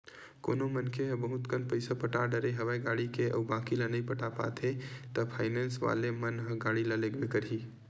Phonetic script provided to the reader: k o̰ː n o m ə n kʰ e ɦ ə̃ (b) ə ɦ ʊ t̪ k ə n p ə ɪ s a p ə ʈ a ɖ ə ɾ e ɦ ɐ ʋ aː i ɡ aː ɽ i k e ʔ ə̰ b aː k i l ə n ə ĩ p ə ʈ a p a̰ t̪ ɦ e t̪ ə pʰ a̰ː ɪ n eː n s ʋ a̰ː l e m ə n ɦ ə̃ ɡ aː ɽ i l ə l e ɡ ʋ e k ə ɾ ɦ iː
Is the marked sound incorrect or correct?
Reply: correct